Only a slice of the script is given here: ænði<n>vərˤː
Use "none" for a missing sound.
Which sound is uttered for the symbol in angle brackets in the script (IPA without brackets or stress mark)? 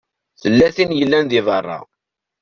none